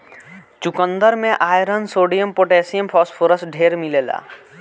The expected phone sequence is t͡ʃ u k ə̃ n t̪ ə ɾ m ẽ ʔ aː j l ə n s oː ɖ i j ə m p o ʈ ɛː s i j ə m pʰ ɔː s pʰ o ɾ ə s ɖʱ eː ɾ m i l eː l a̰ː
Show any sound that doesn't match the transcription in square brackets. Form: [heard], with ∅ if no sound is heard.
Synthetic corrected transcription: t͡ʃ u k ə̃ n [d̪] ə ɾ m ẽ ʔ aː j [ɾ] ə n s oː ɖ i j ə m p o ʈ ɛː s i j ə m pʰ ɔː s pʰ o ɾ ə s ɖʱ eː ɾ m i l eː l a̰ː